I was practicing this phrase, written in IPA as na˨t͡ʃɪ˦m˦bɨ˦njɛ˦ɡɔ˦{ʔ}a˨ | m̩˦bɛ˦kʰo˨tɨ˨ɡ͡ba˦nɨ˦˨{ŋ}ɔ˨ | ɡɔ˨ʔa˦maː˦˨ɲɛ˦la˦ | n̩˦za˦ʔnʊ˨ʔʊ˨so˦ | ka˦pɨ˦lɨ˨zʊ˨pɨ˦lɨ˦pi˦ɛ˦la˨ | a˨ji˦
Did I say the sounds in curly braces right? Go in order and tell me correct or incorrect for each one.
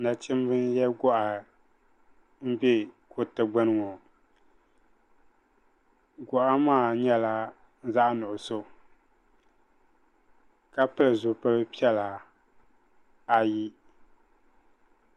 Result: correct, correct

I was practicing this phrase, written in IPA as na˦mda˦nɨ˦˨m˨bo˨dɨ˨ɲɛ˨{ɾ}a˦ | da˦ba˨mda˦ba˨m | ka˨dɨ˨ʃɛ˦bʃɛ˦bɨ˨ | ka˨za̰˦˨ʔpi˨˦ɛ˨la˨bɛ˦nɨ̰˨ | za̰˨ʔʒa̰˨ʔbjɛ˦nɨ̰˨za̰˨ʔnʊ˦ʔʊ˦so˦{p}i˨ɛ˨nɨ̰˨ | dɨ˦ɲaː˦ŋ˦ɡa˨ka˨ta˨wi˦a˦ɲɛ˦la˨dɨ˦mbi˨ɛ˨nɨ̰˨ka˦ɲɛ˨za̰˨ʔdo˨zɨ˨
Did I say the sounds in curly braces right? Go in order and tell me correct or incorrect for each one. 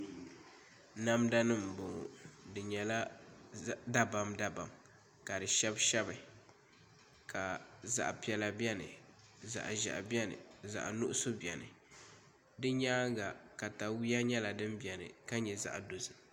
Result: incorrect: l, incorrect: b

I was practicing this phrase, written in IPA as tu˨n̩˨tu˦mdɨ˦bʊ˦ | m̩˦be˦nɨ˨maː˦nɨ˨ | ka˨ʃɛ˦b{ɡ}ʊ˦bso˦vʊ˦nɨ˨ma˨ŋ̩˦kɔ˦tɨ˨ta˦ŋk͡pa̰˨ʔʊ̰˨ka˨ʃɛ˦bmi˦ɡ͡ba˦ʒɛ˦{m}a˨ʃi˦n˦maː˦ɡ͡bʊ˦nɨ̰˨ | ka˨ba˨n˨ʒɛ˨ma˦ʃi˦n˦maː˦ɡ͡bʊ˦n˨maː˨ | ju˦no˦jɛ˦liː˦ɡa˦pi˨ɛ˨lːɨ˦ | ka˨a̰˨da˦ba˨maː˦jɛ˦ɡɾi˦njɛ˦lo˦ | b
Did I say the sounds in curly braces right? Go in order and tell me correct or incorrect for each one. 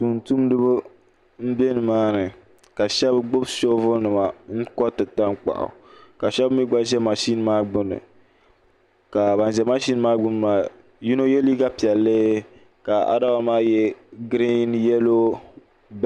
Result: incorrect: ɡ͡b, correct

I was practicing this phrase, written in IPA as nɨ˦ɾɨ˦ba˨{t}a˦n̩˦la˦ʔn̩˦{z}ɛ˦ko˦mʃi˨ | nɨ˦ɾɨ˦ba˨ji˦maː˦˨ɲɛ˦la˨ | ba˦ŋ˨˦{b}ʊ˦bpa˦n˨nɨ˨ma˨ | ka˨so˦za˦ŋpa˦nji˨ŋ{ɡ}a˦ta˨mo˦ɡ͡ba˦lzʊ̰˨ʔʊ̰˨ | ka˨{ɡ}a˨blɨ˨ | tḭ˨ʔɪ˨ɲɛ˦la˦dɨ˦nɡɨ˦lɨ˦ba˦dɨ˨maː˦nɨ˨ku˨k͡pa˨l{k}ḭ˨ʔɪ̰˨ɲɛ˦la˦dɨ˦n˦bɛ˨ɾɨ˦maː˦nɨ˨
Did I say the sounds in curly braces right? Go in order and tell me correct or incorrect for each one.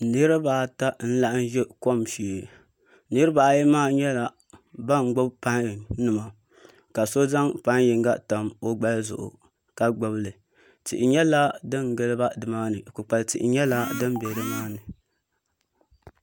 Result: correct, incorrect: ʒ, incorrect: ɡ͡b, correct, incorrect: ɡ͡b, incorrect: t

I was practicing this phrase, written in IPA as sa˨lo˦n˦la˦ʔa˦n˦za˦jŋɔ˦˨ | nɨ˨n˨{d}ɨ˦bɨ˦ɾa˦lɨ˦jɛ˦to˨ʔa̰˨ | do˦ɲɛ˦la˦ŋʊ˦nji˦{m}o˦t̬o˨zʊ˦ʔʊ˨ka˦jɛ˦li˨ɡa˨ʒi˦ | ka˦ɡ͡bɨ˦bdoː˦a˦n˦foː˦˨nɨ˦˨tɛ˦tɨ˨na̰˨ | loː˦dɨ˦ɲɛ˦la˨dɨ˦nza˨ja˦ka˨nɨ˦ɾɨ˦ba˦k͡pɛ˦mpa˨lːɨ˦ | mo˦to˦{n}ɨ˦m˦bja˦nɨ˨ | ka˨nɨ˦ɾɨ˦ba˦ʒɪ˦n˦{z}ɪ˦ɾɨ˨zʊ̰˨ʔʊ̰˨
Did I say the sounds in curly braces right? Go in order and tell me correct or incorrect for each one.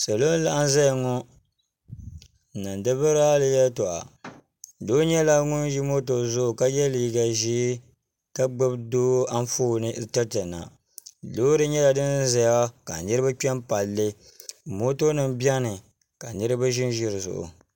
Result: correct, correct, correct, incorrect: ʒ

